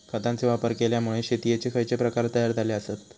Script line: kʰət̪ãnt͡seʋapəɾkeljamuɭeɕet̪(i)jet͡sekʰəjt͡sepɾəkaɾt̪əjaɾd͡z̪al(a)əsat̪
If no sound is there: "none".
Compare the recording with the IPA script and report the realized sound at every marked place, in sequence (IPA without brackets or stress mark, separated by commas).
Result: i, e